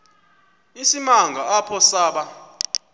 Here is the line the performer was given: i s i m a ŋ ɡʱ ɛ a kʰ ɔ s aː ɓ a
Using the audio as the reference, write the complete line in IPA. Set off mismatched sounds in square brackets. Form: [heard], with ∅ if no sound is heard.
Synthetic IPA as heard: i s i m a ŋ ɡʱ [a] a [pʰ] ɔ s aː ɓ a